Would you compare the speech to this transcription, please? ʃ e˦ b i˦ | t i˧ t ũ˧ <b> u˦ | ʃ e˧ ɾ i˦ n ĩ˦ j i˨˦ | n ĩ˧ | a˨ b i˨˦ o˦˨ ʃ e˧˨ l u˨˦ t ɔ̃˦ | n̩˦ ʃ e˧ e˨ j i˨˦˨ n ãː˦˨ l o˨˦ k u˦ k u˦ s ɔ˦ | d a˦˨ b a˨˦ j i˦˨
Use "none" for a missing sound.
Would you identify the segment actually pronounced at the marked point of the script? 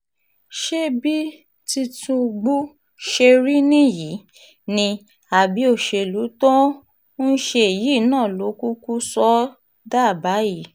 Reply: ɡ͡b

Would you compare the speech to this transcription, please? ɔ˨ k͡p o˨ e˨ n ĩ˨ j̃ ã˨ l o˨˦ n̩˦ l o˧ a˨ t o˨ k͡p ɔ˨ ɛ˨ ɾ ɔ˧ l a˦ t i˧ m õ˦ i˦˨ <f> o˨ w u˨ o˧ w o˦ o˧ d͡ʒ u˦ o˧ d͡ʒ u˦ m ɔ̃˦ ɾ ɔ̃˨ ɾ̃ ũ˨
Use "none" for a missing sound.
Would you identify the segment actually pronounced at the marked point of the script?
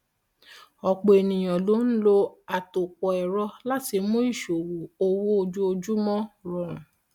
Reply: ʃ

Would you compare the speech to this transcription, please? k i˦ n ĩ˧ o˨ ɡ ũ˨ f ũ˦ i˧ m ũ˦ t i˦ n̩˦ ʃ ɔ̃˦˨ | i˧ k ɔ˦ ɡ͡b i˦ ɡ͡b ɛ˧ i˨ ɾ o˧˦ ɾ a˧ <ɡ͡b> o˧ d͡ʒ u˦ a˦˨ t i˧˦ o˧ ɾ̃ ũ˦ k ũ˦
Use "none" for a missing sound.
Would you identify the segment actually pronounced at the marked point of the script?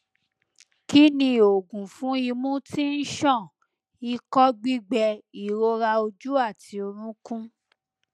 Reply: none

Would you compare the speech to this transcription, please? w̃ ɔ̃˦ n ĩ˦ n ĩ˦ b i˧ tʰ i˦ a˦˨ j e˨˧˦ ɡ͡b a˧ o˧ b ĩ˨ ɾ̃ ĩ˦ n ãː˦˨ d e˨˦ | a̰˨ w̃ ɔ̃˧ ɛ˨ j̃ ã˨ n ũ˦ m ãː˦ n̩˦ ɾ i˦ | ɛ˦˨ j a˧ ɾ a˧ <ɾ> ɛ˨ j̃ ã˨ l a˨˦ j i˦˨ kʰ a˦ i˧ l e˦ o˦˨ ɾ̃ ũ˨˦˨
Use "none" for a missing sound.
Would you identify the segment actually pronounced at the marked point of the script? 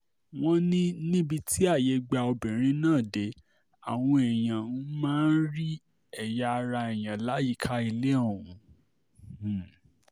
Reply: none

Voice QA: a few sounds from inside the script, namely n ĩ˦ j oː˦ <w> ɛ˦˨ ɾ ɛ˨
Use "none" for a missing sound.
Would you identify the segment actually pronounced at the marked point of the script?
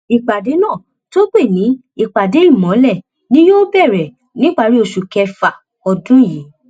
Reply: b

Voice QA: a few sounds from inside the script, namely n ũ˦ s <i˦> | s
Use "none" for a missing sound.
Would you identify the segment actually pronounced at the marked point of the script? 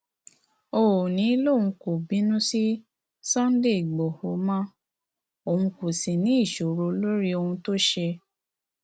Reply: i˦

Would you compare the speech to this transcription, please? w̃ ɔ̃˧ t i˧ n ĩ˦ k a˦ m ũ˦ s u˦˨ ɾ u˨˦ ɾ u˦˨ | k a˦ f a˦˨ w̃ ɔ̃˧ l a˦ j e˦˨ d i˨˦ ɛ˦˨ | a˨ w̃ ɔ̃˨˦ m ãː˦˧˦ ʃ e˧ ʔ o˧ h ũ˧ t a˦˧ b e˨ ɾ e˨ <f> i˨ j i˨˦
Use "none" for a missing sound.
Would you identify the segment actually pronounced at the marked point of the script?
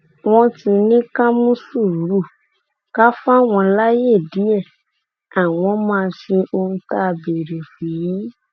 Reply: f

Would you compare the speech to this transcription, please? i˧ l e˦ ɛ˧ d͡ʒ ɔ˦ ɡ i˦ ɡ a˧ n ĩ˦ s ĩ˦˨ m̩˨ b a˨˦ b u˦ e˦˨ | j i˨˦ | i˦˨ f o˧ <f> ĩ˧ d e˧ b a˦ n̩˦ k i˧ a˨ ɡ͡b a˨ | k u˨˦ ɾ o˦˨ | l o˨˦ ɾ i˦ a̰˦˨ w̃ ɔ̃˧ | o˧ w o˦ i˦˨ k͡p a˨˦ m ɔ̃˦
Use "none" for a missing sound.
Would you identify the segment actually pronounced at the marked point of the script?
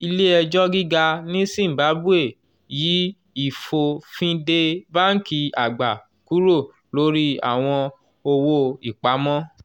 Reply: f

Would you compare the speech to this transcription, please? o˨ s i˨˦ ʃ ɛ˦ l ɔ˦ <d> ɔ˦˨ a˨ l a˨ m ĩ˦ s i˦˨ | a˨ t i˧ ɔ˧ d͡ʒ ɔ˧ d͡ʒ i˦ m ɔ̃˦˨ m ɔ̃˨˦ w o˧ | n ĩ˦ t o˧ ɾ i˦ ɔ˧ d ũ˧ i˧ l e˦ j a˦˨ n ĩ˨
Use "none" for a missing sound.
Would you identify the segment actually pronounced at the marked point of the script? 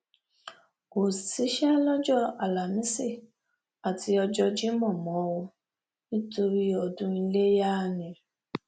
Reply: d͡ʒ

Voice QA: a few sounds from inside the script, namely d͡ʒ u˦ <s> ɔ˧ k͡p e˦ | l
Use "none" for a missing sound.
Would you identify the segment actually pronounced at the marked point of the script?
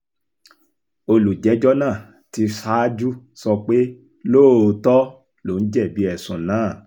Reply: s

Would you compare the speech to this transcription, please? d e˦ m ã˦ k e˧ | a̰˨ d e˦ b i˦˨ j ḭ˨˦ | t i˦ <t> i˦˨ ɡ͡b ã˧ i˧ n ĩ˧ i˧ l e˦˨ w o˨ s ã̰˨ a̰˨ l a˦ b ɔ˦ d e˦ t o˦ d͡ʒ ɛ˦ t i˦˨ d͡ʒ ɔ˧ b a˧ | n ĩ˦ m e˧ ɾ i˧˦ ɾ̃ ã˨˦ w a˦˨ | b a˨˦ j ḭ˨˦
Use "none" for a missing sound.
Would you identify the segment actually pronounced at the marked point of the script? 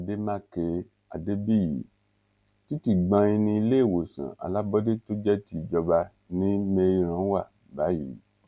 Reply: t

